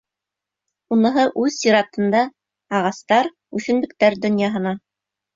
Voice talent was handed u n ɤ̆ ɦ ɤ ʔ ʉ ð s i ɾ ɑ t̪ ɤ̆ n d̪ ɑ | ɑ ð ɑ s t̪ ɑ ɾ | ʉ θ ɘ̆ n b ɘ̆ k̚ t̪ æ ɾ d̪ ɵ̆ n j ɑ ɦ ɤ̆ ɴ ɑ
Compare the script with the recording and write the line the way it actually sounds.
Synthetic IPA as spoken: u n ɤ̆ ɦ ɤ ʔ ʉ ð s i ɾ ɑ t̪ ɤ̆ n d̪ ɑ | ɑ ʁ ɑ s t̪ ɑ ɾ | ʉ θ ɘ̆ n b ɘ̆ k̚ t̪ æ ɾ d̪ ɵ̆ n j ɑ ɦ ɤ̆ n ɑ